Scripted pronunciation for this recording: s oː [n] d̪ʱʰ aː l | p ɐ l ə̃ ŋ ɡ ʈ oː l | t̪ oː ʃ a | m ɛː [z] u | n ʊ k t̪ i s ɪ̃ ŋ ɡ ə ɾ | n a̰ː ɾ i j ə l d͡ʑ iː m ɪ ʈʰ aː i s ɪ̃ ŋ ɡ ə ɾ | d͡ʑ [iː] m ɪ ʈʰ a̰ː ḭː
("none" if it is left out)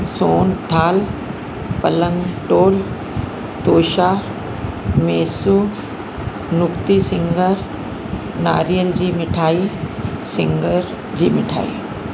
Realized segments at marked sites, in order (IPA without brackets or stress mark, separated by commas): n, s, iː